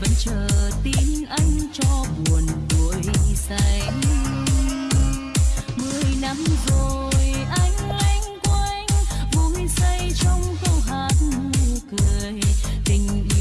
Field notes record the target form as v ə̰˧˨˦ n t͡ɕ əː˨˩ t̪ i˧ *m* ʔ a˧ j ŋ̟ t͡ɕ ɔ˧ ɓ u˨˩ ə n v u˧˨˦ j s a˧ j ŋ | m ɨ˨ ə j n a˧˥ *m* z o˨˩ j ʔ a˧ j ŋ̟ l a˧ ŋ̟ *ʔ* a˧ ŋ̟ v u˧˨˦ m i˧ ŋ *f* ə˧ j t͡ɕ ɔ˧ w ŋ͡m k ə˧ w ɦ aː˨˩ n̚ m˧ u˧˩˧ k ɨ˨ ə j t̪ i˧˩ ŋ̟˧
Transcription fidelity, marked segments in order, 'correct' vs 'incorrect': incorrect: n, correct, incorrect: k, incorrect: s

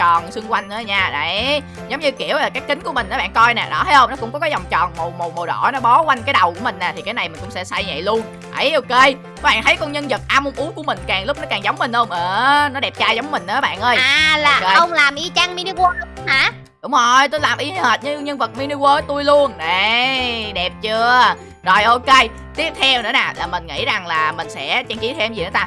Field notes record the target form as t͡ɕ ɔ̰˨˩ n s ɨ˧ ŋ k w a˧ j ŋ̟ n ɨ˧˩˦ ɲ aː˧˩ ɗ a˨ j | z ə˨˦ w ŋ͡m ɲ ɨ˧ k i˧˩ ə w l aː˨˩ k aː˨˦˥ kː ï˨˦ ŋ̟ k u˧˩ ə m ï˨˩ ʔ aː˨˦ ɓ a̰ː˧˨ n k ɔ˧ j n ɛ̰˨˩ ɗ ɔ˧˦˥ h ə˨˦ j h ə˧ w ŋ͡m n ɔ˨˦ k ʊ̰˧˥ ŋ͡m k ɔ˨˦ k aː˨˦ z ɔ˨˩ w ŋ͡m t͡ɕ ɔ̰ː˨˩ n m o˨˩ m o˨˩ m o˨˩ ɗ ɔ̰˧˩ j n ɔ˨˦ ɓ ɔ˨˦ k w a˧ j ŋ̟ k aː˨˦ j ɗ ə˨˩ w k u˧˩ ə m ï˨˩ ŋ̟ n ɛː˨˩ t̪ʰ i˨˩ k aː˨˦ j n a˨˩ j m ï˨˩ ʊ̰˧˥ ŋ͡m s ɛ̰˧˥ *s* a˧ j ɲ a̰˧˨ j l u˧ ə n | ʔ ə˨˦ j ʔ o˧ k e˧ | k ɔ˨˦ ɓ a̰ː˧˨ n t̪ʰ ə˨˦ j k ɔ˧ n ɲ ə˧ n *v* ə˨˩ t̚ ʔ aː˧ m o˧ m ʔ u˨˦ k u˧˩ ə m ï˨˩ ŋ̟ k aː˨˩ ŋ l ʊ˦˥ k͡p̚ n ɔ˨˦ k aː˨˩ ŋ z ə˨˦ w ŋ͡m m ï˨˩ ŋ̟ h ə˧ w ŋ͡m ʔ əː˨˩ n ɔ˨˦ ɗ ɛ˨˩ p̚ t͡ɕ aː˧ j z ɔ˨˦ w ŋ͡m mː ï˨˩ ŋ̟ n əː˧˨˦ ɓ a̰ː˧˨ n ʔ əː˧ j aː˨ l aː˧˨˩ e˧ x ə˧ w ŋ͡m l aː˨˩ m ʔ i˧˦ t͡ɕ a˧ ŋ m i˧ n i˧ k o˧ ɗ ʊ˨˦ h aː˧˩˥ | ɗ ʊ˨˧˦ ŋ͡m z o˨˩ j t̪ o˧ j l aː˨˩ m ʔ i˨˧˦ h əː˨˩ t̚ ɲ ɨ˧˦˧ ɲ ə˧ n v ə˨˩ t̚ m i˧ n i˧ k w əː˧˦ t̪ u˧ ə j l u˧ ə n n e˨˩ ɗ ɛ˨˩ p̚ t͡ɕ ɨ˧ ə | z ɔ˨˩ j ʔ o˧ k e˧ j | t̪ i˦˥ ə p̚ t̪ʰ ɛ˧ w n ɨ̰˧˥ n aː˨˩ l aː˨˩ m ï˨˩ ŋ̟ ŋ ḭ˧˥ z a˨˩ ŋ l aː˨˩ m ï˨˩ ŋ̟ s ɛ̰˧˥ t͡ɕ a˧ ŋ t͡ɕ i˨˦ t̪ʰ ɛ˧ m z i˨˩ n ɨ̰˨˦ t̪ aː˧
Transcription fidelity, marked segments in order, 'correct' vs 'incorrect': correct, incorrect: z

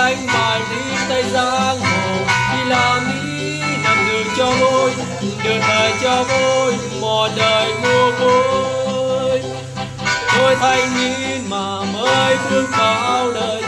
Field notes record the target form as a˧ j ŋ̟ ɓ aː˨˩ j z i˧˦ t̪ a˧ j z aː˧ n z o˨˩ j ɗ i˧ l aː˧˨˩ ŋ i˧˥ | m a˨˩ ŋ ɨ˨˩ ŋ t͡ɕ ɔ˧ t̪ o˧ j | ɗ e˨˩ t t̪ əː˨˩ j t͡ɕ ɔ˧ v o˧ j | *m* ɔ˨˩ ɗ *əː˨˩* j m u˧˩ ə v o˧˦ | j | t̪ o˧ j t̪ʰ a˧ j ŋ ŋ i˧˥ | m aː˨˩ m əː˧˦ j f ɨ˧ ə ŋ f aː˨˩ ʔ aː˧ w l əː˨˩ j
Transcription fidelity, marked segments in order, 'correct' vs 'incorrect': correct, correct

